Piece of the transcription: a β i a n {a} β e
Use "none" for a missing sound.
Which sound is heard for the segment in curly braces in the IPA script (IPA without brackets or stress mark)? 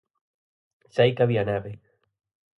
a